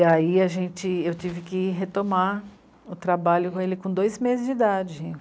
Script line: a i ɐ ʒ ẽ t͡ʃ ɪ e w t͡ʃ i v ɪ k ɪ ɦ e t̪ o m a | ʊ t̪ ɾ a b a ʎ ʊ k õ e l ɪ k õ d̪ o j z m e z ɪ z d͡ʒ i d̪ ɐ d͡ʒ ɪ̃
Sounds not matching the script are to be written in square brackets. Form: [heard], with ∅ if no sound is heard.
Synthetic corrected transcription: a i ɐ ʒ ẽ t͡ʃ ɪ e w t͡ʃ i v ɪ k ɪ ɦ e t̪ o m a | ʊ t̪ ɾ a b a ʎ ʊ k õ e l ɪ k õ d̪ o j z m e z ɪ z d͡ʒ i d̪ [a] d͡ʒ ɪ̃